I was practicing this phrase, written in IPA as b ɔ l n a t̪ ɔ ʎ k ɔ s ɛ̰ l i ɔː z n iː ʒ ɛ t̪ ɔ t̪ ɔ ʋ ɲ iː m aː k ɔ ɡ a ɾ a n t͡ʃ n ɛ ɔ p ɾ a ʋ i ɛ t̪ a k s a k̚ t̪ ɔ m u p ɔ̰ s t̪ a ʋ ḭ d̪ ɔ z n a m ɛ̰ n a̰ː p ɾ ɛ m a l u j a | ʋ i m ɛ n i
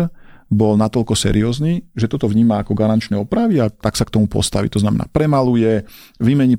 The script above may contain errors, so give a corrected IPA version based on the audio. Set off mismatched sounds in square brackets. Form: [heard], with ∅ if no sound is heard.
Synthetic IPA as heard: b ɔ l n a t̪ ɔ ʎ k ɔ s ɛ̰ [ɾ] i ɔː z n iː ʒ ɛ t̪ ɔ t̪ ɔ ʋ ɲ iː m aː k ɔ ɡ a ɾ a n t͡ʃ n ɛ ɔ p ɾ a ʋ i [a] t̪ a k s a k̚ t̪ ɔ m u p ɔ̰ s t̪ a ʋ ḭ [t̪] ɔ z n a m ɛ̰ n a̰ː p ɾ ɛ m a l u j [ɛ] | ʋ i m ɛ [ɲ] i